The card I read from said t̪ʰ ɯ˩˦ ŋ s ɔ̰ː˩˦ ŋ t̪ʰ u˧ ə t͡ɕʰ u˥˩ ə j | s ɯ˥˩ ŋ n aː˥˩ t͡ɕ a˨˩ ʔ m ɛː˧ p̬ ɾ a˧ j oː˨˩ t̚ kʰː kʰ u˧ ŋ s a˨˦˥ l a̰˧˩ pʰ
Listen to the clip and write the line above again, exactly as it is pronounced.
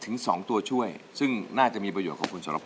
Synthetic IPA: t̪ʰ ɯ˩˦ ŋ s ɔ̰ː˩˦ ŋ t̪ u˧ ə t͡ɕʰ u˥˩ ə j | s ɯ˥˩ ŋ n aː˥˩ t͡ɕ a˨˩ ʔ m iː˧ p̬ ɾ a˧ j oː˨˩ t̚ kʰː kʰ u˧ n s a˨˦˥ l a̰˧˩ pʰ